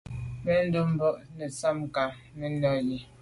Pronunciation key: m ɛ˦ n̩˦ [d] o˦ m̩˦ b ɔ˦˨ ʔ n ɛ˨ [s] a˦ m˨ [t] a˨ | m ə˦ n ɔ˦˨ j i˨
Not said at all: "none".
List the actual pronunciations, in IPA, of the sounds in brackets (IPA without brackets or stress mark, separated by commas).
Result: d, s, k